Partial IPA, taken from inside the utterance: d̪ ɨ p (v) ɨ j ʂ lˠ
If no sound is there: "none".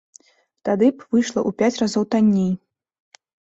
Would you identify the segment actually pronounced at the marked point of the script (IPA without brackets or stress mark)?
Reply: v